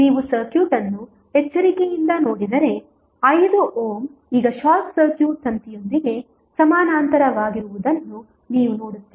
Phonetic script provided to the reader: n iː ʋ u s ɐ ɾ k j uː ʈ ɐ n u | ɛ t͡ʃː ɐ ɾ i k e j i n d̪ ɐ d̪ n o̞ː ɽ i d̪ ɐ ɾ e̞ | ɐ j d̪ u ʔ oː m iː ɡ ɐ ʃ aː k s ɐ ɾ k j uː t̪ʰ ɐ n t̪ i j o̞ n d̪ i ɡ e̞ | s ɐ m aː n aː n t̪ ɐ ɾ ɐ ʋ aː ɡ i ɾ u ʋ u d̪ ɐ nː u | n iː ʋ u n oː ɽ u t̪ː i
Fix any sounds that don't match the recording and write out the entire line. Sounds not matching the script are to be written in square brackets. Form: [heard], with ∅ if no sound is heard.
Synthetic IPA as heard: n iː ʋ u s ɐ ɾ k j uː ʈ ɐ [nː] u | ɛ t͡ʃː ɐ ɾ i k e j i n d̪ ɐ [∅] n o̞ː ɽ i d̪ ɐ ɾ e̞ | ɐ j d̪ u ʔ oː m iː ɡ ɐ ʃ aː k s ɐ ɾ k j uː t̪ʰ ɐ n t̪ i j o̞ n d̪ i ɡ e̞ | s ɐ m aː n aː n t̪ ɐ ɾ ɐ ʋ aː ɡ i ɾ u ʋ u d̪ ɐ nː u | n iː ʋ u n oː ɽ u t̪ː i